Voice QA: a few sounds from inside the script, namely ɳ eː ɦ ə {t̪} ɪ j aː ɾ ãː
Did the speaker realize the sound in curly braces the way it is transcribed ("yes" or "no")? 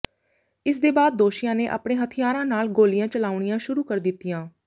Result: no